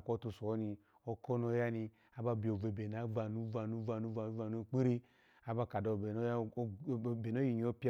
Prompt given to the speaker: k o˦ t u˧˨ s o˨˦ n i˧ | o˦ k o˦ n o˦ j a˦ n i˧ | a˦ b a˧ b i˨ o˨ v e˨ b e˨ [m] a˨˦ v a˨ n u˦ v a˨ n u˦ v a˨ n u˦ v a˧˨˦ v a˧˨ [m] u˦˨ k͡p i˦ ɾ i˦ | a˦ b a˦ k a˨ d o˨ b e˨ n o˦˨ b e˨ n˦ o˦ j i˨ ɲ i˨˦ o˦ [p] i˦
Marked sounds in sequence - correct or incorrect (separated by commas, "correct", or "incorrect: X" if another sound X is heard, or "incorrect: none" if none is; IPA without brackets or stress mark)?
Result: incorrect: n, incorrect: n, correct